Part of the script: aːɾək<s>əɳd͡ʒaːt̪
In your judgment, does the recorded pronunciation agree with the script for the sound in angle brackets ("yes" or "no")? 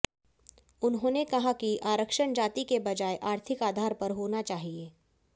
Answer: no